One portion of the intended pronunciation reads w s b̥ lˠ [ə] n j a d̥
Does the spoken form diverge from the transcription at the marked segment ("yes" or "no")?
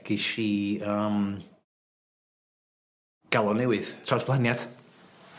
yes